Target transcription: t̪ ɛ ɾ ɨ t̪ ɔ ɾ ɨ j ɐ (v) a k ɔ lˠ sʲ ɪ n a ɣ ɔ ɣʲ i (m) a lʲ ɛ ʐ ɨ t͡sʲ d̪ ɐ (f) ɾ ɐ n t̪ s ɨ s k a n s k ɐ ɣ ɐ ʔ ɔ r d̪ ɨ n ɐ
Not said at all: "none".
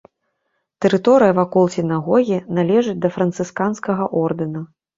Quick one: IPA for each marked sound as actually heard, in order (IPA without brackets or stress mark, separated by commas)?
v, n, f